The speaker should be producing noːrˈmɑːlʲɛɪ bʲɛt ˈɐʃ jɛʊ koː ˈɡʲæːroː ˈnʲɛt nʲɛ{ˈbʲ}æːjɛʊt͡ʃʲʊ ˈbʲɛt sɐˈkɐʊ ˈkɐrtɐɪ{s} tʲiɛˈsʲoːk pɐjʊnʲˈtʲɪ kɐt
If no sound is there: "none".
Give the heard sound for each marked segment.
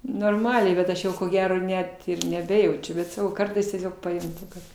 bʲ, s

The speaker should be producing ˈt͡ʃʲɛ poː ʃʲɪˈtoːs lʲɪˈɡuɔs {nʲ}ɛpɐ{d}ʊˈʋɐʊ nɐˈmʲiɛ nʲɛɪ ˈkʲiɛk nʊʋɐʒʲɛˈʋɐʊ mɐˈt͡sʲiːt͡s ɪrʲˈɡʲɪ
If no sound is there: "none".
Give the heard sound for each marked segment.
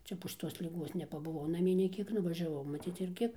nʲ, b

